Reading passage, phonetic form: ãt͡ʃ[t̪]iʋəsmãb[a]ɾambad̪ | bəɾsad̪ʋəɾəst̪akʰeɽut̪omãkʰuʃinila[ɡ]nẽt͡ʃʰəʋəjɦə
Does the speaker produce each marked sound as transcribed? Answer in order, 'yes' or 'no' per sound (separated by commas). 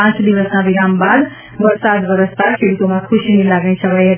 no, no, yes